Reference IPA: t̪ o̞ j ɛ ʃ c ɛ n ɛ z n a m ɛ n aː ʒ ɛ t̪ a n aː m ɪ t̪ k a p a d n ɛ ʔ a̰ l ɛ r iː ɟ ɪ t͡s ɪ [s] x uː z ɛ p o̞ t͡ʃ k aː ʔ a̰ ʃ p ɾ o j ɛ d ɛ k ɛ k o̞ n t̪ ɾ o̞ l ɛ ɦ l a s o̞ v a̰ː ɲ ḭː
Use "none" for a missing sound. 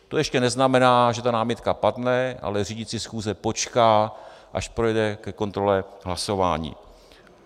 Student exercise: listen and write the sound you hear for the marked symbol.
s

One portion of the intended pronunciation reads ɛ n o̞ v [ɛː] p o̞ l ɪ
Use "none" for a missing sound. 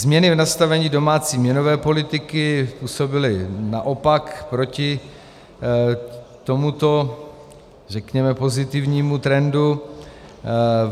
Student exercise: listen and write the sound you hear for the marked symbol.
ɛː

